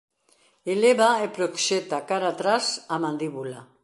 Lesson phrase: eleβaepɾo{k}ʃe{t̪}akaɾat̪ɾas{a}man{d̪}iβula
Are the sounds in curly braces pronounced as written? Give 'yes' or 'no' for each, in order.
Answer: yes, yes, yes, yes

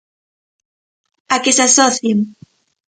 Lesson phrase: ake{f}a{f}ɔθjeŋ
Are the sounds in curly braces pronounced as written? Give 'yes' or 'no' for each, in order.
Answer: no, no

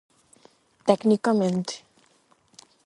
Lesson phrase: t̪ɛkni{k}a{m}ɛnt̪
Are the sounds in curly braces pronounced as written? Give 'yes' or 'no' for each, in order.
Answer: yes, yes

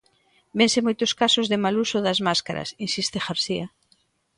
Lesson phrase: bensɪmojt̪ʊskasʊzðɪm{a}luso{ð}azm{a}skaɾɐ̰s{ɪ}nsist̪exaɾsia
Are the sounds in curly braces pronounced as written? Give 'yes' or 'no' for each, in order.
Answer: yes, yes, yes, no

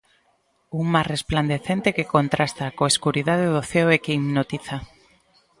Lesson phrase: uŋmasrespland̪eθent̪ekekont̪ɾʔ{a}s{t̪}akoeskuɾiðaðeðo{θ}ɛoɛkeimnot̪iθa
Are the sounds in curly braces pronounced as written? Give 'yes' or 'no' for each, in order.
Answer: yes, yes, yes

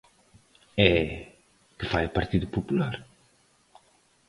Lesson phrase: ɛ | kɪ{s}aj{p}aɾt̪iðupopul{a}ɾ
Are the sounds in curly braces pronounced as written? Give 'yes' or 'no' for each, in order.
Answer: no, yes, yes

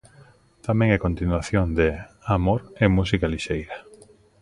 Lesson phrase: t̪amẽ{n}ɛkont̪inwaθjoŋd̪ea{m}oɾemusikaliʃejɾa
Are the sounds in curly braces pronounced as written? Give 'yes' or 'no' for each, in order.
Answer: no, yes

